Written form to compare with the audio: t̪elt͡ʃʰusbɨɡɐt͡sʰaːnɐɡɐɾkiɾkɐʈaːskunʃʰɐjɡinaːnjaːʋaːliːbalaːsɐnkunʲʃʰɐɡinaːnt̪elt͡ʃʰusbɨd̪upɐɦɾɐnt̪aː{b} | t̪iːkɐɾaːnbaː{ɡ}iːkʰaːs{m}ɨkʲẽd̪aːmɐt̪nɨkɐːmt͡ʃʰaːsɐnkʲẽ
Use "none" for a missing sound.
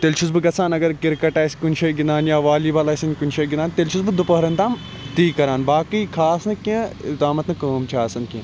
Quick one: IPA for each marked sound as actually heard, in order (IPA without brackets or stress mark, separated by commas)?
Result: m, k, n